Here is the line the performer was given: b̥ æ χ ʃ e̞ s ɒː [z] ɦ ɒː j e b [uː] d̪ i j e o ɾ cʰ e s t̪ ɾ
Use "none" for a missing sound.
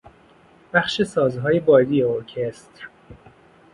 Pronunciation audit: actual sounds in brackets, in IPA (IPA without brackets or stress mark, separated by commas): z, ɒː